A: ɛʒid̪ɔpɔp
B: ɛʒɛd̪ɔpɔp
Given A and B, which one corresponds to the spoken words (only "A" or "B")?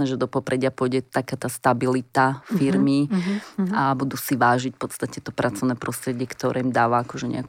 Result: B